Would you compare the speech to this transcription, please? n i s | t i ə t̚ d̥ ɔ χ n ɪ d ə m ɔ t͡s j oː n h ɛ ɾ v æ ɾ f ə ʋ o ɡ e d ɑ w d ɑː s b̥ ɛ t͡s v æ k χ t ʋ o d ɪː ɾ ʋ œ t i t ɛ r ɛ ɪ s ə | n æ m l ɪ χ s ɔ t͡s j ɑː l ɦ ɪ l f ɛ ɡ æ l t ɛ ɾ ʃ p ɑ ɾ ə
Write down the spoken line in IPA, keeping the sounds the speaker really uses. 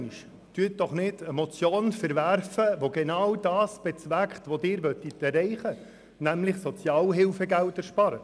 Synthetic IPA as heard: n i ʃ | t y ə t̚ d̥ ɔ χ n ɪ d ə m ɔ t͡s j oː n f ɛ ɾ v æ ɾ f ə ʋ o ɡ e n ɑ w d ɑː s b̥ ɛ t͡s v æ k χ t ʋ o d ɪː ɾ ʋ œ t i t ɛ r ɛ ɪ χ ə | n æ m l ɪ χ s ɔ t͡s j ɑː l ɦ ɪ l f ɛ ɡ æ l t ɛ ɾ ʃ p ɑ ɾ ə